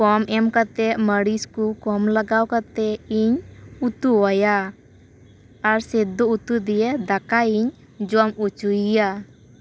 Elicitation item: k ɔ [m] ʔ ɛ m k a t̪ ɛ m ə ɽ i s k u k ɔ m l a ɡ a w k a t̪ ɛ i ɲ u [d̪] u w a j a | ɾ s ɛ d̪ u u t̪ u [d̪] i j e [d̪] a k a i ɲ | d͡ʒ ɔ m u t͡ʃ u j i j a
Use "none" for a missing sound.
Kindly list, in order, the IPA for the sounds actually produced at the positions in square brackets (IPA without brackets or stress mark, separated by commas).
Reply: m, t̪, d̪, d̪